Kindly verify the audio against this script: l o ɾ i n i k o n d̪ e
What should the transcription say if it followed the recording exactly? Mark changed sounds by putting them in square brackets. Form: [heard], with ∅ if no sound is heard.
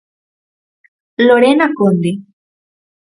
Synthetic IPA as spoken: l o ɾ [e] n [a] k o n d̪ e